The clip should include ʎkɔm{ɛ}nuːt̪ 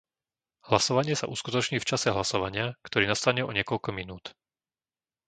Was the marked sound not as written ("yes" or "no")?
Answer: yes